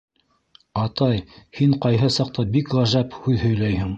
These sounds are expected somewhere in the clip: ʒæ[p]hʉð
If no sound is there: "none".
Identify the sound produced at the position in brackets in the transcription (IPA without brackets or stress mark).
p